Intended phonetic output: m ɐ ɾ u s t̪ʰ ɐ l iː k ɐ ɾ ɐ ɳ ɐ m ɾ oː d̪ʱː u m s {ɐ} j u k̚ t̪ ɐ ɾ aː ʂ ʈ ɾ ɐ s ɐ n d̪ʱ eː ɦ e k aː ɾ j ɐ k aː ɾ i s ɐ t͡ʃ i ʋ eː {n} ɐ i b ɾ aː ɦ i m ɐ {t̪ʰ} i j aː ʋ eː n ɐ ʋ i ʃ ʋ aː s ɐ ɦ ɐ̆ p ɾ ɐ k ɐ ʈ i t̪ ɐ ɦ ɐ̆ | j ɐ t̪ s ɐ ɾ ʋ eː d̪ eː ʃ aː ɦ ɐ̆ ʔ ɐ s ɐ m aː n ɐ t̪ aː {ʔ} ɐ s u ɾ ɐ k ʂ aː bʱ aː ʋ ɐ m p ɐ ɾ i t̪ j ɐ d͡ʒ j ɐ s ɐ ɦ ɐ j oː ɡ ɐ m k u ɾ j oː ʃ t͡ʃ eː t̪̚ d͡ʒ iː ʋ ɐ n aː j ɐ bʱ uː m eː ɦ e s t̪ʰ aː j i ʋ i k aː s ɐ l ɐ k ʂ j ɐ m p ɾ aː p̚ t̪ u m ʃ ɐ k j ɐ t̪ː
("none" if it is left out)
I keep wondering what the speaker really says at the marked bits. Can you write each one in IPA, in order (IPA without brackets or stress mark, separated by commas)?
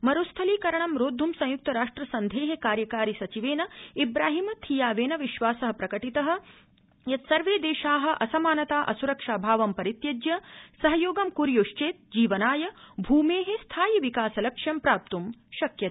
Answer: ɐ̃, n, t̪ʰ, ʔ